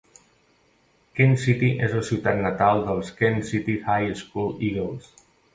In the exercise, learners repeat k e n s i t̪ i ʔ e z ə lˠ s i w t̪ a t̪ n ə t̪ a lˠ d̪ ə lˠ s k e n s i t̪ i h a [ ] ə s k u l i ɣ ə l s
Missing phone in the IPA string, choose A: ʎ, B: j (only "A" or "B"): B